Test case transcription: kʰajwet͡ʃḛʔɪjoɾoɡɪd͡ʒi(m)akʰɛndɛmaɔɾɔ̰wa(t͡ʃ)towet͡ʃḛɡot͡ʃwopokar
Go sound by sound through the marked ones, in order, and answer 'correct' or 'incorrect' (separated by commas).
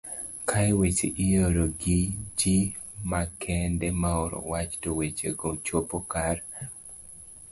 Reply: correct, correct